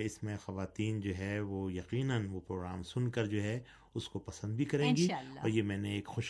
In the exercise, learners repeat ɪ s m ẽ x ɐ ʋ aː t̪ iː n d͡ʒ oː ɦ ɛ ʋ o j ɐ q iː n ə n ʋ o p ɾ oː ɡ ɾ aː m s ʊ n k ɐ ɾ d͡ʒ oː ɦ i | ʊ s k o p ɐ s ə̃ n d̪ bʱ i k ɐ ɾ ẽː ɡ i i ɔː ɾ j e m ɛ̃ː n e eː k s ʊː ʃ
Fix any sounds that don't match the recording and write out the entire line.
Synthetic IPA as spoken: ɪ s m ẽ x ɐ ʋ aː t̪ iː n d͡ʒ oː ɦ ɛ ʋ o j ɐ q iː n ə n ʋ o p ɾ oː ɡ ɾ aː m s ʊ n k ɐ ɾ d͡ʒ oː ɦ ɛ | ʊ s k o p ɐ s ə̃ n d̪ bʱ i k ɐ ɾ ẽː ɡ i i ɔː ɾ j e m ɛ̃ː n e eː k x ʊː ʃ